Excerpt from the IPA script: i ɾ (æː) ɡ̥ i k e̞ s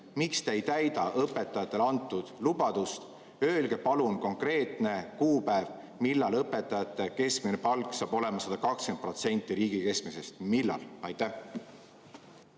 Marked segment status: incorrect: iː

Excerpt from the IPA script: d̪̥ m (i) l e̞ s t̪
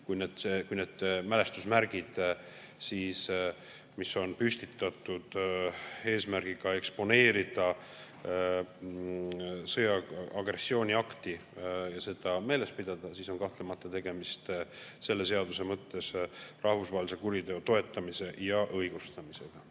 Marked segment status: incorrect: æ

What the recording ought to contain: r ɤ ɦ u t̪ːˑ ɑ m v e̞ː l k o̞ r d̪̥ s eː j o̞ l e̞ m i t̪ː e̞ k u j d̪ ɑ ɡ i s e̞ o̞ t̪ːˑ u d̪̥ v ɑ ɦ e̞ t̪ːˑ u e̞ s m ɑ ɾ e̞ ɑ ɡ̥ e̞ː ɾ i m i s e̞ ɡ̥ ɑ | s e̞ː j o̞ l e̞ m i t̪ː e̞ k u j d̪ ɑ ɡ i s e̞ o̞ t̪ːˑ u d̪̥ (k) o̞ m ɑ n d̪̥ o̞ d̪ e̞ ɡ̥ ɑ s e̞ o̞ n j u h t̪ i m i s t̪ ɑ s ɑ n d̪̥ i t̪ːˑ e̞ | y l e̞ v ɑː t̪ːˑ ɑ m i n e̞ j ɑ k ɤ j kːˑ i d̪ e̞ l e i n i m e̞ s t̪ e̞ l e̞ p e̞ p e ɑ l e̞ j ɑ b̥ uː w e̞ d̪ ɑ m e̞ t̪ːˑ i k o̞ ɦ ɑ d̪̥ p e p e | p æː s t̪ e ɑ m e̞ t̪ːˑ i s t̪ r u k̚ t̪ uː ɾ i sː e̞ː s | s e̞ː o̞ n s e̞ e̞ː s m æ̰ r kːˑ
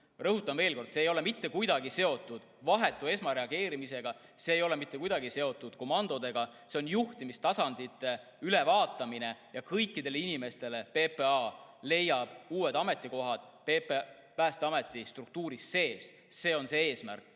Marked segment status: correct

